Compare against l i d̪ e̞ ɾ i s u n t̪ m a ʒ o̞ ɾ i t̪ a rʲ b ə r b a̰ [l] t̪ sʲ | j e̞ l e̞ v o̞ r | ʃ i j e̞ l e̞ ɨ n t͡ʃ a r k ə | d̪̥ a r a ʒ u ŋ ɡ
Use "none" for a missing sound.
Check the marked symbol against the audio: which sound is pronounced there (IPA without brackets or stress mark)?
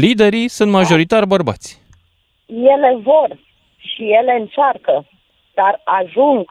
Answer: none